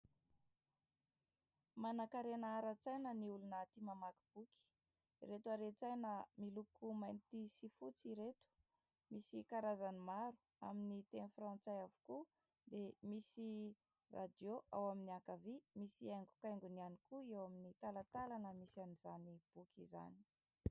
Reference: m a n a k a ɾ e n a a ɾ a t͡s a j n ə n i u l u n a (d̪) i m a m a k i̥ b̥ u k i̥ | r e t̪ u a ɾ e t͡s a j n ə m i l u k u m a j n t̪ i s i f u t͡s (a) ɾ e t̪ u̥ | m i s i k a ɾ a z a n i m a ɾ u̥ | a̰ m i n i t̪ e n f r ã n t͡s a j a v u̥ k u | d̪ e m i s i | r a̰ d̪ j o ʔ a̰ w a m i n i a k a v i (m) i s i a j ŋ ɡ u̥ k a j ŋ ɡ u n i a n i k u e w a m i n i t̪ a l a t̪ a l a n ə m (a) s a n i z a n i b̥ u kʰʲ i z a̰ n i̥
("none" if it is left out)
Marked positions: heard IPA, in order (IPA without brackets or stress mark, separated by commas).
t̪, i, m, i